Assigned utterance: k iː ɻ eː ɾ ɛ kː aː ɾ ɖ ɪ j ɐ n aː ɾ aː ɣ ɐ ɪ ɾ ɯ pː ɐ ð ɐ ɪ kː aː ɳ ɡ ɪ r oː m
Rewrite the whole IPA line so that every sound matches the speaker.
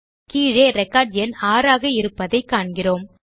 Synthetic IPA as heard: k iː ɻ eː ɾ ɛ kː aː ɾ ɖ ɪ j ɐ n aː ɾ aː ɣ ɐ ɪ ɾ ɯ pː ɐ ð ɐ ɪ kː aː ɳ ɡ ɪ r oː m